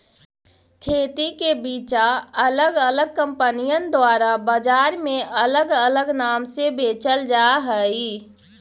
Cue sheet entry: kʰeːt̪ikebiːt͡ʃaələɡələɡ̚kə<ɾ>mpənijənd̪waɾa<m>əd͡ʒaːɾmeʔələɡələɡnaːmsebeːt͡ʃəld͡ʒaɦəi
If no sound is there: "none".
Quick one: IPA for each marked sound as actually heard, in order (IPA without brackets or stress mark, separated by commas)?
none, b